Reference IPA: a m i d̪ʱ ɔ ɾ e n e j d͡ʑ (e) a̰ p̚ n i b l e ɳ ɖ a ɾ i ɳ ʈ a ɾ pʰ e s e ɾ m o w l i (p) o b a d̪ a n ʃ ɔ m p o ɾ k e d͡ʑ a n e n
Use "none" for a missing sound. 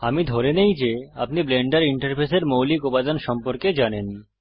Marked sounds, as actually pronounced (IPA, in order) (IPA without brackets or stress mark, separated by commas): e, k